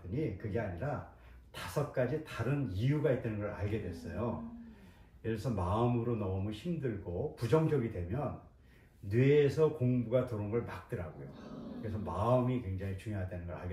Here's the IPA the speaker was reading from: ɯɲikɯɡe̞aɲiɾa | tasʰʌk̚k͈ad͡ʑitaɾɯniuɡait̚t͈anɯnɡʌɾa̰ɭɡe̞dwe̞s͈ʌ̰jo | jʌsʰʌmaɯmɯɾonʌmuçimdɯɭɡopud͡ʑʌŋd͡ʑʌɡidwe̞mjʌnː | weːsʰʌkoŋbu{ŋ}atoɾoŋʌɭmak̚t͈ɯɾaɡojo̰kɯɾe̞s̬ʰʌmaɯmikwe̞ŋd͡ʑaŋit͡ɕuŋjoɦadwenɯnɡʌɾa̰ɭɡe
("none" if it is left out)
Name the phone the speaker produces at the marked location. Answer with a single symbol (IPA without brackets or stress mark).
ɡ